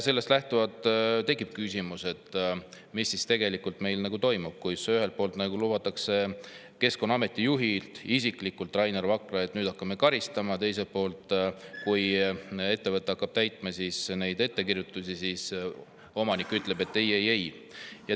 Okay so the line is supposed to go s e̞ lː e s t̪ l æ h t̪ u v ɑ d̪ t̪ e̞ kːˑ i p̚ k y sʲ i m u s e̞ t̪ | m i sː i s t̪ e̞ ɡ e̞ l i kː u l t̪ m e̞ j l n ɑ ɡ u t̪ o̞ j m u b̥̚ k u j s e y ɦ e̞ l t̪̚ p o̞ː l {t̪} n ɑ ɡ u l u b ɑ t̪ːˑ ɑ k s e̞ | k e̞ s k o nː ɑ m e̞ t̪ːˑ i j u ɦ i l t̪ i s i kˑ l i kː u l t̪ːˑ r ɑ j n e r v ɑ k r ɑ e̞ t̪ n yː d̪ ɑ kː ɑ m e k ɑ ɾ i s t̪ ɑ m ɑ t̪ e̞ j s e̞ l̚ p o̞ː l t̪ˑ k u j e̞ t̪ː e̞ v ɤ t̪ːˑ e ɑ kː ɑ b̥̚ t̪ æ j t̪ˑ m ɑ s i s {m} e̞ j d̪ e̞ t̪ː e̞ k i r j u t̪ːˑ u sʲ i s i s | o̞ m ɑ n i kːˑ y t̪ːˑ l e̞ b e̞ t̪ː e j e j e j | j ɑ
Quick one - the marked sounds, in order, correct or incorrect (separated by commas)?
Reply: correct, incorrect